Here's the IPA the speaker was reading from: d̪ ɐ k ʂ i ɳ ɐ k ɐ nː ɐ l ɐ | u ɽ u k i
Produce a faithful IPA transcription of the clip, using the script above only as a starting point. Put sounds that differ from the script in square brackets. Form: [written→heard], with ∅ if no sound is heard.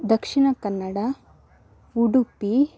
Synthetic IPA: d̪ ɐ k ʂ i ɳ ɐ k ɐ nː ɐ [l→ɽ] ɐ | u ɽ u [k→p] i